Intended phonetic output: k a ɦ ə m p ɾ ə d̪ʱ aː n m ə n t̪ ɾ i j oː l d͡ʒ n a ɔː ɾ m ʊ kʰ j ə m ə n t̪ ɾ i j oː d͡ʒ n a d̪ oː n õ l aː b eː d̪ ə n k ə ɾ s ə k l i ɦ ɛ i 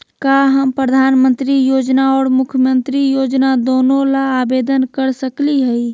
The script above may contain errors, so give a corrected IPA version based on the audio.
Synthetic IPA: k a ɦ ə m p ɾ ə d̪ʱ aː n m ə n t̪ ɾ i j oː d͡ʒ n a ɔː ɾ m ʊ kʰ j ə m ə n t̪ ɾ i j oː d͡ʒ n a d̪ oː n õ l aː b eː d̪ ə n k ə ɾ s ə k l i ɦ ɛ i